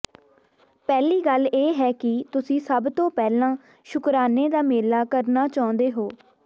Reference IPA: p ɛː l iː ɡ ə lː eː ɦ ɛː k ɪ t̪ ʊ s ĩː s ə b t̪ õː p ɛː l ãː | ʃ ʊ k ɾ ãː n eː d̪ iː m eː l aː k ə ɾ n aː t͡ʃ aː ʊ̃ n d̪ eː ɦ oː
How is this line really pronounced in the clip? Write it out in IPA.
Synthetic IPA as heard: p ɛː l iː ɡ ə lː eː ɦ ɛː k ɪ t̪ ʊ s ĩː s ə b t̪ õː p ɛː l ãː | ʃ ʊ k ɾ aː n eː d̪ aː m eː l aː k ə ɾ n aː t͡ʃ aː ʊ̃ n d̪ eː ɦ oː